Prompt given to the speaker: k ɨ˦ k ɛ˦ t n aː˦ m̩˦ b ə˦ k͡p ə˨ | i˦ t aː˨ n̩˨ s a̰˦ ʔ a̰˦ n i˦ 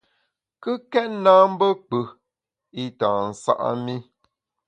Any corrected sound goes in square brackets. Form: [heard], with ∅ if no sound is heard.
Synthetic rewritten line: k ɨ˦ k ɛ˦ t n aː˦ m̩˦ b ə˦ k͡p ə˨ | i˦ t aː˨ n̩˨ s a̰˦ ʔ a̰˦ [m] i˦